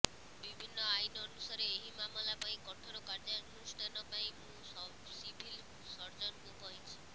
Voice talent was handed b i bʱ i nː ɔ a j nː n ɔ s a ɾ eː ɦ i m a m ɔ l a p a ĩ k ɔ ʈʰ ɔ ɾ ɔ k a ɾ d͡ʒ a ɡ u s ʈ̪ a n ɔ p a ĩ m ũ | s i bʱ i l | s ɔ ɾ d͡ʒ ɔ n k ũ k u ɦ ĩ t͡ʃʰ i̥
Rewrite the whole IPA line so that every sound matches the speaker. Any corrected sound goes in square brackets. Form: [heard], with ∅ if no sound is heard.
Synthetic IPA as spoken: b i bʱ i nː ɔ a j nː n [u] s a ɾ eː ɦ i m a m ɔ l a p a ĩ k ɔ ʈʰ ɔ ɾ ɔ k a ɾ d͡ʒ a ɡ u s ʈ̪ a n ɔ p a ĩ m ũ | s i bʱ i l | s ɔ ɾ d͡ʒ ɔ n k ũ k [ɔ] ɦ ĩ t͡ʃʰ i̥